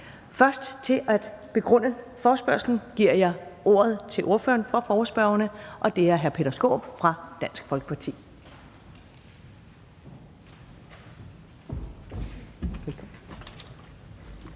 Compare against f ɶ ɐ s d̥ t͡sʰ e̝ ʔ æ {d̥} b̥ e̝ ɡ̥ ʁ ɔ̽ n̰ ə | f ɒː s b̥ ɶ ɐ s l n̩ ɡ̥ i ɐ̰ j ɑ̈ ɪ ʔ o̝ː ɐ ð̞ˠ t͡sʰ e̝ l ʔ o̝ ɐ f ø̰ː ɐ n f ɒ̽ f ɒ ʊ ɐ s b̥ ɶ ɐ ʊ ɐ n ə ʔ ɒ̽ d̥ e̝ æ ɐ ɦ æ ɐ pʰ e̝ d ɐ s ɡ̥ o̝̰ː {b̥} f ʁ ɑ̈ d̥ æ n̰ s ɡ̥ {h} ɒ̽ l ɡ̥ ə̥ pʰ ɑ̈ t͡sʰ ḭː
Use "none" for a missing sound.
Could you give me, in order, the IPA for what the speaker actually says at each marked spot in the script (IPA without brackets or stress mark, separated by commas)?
d̥, b̥, f